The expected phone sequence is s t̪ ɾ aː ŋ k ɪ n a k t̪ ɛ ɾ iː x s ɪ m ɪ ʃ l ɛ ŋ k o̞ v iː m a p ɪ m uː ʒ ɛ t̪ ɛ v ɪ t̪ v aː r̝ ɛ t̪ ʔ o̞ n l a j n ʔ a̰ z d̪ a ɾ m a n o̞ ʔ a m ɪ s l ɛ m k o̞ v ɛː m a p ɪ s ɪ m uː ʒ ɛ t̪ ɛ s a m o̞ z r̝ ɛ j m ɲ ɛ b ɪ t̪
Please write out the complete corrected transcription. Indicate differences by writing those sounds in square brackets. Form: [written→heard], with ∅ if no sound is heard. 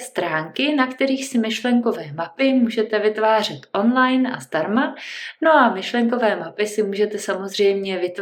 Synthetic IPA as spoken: s t̪ ɾ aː ŋ k ɪ n a k t̪ ɛ ɾ iː x s ɪ m ɪ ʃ l ɛ ŋ k o̞ v [iː→ɛː] m a p ɪ m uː ʒ ɛ t̪ ɛ v ɪ t̪ v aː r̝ ɛ t̪ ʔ o̞ n l a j n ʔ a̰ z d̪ a ɾ m a n o̞ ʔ a m ɪ [s→ʃ] l ɛ [m→ŋ] k o̞ v ɛː m a p ɪ s ɪ m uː ʒ ɛ t̪ ɛ s a m o̞ z r̝ ɛ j m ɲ ɛ [b→v] ɪ t̪